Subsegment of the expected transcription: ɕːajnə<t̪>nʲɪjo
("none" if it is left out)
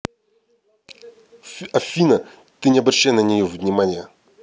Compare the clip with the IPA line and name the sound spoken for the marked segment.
none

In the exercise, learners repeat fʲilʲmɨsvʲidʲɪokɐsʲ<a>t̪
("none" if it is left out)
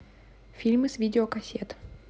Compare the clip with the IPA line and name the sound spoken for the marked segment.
e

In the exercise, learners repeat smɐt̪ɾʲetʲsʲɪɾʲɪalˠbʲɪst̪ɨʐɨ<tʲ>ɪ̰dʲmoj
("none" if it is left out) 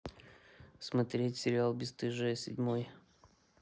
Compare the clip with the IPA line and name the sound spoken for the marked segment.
sʲ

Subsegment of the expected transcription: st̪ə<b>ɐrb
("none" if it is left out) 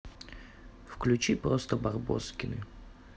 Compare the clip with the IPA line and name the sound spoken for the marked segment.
b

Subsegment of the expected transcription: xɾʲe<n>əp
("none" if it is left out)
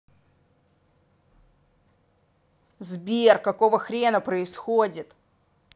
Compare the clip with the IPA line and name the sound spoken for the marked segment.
n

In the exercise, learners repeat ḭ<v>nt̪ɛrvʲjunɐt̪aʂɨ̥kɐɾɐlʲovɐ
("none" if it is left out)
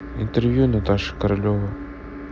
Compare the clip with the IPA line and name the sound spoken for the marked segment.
none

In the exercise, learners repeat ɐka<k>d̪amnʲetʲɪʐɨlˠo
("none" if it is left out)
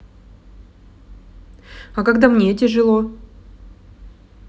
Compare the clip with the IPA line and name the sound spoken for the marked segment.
ɡ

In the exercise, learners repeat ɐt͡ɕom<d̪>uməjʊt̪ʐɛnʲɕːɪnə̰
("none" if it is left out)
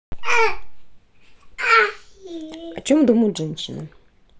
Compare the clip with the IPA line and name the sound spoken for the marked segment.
d̪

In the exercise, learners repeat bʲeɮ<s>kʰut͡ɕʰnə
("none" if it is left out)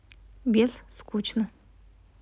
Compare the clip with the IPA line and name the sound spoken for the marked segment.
s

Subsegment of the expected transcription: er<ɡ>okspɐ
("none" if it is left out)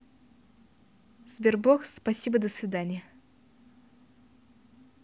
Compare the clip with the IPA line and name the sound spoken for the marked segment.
b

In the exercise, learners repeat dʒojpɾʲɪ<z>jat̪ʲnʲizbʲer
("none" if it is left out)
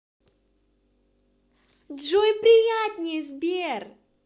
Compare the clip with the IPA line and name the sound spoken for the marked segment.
none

